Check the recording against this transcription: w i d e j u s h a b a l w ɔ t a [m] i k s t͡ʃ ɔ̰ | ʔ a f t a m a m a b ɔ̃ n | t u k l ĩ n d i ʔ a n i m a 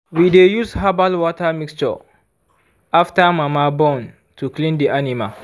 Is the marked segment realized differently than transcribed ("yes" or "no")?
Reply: no